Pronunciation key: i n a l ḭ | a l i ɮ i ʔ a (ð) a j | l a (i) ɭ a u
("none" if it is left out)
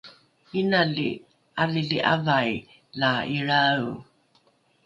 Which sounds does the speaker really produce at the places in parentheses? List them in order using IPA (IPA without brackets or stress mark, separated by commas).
v, i